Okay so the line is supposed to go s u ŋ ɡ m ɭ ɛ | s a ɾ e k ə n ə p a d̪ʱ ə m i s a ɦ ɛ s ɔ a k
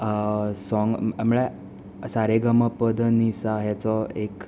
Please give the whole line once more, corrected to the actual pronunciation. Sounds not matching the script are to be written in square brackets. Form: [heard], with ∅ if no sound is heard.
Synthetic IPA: s [ɔ] ŋ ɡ m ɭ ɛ | s a ɾ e [ɡ] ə [m] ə p [ə] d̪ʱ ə [n] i s a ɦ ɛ [t͡s] ɔ [e] k

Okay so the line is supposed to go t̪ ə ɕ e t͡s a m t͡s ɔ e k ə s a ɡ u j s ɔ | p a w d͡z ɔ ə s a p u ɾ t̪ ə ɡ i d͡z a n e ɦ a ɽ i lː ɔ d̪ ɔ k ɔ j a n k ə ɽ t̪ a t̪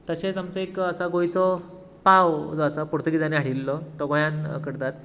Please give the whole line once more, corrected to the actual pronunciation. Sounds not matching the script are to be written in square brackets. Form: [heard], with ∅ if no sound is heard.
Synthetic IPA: t̪ ə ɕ e t͡s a m t͡s ɔ e k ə s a ɡ [o] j [t͡s] ɔ | p a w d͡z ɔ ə s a p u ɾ t̪ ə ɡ i d͡z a n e ɦ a ɽ i lː ɔ [t̪] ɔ [ɡ] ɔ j a n k ə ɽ t̪ a t̪

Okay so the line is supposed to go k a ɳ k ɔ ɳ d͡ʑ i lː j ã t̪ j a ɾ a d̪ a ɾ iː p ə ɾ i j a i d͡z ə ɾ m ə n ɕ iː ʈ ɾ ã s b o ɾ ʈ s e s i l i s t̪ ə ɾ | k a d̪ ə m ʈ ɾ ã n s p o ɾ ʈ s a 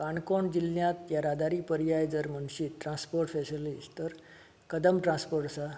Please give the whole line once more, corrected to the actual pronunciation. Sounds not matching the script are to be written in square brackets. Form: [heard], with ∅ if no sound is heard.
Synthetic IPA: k a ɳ k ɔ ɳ d͡ʑ i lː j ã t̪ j a ɾ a d̪ a ɾ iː p ə ɾ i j a [j] d͡z ə ɾ m ə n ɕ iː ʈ ɾ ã s [p] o ɾ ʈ [f] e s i l i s t̪ ə ɾ | k [ə] d̪ ə m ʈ ɾ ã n s p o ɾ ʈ s a

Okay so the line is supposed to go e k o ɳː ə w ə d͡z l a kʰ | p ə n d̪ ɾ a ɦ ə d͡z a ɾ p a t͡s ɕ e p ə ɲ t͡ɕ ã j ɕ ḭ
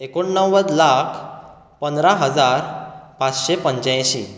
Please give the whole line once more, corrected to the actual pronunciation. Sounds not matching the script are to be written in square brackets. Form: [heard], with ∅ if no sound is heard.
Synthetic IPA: e k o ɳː ə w ə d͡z l a kʰ | p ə n d̪ ɾ a ɦ ə d͡z a ɾ p a t͡s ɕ e p ə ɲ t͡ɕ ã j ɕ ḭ

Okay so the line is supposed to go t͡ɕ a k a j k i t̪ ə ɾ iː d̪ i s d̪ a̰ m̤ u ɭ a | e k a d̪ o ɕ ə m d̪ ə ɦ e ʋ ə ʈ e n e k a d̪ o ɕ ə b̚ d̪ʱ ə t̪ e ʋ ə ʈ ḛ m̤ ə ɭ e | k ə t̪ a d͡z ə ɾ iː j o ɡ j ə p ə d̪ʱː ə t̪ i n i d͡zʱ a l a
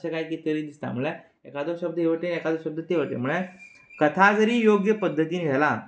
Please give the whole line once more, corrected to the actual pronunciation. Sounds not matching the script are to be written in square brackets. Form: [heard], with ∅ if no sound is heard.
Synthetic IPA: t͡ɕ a k a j k i t̪ ə ɾ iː d̪ i s [t̪] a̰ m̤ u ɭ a | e k a d̪ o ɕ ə [b] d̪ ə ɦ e ʋ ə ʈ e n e k a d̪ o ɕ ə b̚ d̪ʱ ə t̪ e ʋ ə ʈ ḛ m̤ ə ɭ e | k ə [t̪ʰ] a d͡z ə ɾ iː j o ɡ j ə p ə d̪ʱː ə t̪ i n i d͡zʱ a l a

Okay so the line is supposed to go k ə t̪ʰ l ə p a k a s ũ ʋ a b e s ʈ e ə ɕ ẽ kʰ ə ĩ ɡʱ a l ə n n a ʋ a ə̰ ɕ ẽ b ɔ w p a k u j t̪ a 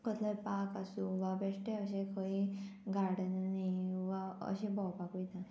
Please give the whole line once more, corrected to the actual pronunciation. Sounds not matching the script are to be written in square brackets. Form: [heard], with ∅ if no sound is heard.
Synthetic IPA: k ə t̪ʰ l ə p a k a s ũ ʋ a b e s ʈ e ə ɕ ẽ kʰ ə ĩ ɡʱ a [ɽ] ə n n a ʋ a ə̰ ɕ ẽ b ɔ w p a k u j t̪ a

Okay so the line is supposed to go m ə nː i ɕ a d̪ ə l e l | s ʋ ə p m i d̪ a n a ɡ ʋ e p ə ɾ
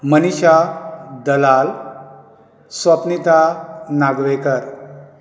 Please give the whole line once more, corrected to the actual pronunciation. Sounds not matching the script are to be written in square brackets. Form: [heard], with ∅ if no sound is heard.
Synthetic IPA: m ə [n] i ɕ a d̪ ə l [a] l | s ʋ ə p [n] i [t̪] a n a ɡ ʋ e [k] ə ɾ

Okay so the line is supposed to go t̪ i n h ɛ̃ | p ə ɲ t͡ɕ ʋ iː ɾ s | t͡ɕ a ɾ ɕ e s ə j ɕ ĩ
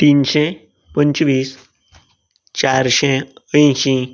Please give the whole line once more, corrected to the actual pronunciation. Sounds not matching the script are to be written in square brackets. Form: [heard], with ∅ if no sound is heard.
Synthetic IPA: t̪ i n [ɕ] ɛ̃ | p ə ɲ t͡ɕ ʋ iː [∅] s | t͡ɕ a ɾ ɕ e [∅] ə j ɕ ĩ

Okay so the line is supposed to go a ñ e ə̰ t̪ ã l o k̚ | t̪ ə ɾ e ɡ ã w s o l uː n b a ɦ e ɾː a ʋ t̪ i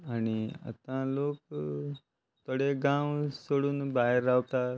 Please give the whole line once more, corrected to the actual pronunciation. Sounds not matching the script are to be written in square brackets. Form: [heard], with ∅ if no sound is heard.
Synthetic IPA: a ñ [i] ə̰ t̪ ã l o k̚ | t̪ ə [ɽ] e ɡ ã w s o [ɽ] uː n b a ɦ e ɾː a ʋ t̪ [a]

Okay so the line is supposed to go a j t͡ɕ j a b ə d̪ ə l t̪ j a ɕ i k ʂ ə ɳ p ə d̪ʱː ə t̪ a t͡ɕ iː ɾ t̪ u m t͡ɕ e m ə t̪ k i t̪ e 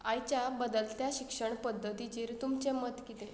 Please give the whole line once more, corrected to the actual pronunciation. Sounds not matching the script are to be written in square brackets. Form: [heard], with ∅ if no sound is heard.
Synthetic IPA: a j t͡ɕ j a b ə d̪ ə l t̪ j a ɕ i k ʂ ə ɳ p ə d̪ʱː ə t̪ [i] t͡ɕ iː ɾ t̪ u m t͡ɕ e m ə t̪ k i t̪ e

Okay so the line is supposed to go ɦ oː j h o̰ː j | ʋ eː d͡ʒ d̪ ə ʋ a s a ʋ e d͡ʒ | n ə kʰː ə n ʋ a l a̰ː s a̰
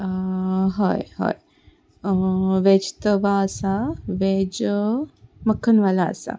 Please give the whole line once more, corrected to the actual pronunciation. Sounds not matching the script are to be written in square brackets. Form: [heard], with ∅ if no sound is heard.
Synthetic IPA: ɦ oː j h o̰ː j | ʋ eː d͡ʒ [t̪] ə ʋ a s a ʋ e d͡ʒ | [m] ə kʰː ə n ʋ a l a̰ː s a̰

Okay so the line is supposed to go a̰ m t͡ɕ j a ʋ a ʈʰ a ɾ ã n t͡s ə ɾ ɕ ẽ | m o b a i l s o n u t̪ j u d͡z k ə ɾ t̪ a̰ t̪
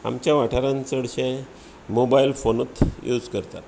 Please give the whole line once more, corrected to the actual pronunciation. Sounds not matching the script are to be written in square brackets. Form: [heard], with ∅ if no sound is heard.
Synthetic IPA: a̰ m t͡ɕ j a ʋ a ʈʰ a ɾ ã n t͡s ə [ɽ] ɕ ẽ | m o b a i l [f] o n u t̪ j u d͡z k ə ɾ t̪ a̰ t̪

